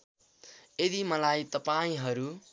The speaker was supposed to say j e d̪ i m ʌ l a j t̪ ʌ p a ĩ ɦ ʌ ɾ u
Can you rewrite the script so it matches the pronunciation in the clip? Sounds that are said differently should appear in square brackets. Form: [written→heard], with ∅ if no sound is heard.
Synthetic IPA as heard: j e d̪ i m ʌ l a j t̪ ʌ p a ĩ ɦ ʌ ɾ u